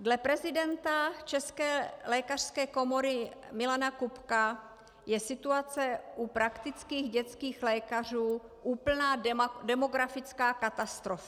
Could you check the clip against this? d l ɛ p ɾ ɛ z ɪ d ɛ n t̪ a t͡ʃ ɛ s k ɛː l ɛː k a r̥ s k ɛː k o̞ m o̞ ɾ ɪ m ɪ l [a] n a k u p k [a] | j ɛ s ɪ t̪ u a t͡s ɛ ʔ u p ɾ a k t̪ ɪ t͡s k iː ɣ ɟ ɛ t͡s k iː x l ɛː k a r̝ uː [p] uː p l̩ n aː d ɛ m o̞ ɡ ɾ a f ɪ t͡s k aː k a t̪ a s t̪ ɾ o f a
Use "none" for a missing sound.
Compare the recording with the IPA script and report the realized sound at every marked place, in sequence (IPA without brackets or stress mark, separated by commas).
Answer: a, a, ʔ